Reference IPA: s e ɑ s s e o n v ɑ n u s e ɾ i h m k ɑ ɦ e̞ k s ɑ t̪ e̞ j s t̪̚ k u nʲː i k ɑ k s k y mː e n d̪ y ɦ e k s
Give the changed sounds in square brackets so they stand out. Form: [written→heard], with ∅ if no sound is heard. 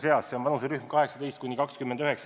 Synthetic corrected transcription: s e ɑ s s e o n v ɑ n u s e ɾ [i→y] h m k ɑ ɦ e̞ k s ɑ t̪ e̞ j s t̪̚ k u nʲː i k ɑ k s k y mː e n d̪ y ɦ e k s